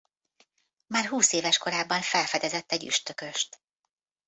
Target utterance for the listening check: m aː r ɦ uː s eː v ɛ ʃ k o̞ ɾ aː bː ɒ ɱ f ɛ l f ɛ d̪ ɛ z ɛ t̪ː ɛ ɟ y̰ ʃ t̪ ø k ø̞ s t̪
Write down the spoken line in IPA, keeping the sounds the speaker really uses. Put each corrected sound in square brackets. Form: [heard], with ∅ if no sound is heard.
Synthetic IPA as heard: m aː r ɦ uː s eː v ɛ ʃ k o̞ ɾ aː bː ɒ ɱ f ɛ l f ɛ d̪ ɛ z ɛ t̪ː ɛ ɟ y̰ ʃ t̪ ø k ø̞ [ʃ] t̪